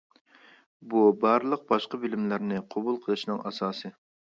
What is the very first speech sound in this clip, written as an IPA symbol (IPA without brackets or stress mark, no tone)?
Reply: b